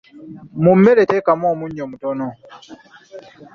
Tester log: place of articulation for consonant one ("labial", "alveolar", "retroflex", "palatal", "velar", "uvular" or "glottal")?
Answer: labial